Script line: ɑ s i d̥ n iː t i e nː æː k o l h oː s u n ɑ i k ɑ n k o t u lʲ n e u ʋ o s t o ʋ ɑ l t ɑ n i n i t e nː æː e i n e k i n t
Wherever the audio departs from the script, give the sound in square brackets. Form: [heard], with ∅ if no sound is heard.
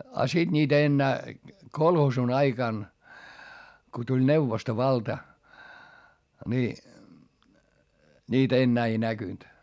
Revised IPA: ɑ s i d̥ n iː t [æ] e nː æː k o l h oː s u n ɑ i k ɑ n k o t u lʲ n e u ʋ o s t o ʋ ɑ l t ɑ n i n [iː] t e nː æː e i n [æ] k [y] n t